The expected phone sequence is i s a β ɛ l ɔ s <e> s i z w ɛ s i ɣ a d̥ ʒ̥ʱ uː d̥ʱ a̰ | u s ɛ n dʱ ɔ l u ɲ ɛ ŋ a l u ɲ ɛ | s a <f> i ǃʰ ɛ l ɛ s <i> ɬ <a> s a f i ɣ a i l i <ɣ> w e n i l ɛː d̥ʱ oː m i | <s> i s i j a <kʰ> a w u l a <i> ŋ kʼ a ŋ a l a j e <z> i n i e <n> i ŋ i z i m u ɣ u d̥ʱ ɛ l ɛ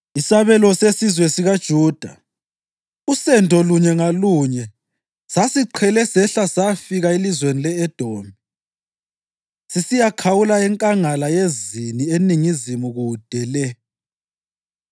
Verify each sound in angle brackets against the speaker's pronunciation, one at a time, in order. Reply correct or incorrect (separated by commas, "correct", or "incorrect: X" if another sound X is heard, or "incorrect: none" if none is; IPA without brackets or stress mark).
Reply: correct, incorrect: s, incorrect: ɛ, correct, incorrect: z, correct, correct, incorrect: ɛ, correct, correct